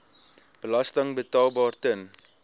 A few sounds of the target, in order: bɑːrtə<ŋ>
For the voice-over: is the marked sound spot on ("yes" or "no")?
no